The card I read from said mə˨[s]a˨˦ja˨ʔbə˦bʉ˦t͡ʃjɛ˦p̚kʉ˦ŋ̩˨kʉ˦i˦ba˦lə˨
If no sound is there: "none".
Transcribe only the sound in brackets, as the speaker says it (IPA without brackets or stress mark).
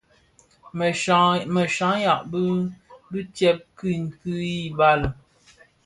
ʃ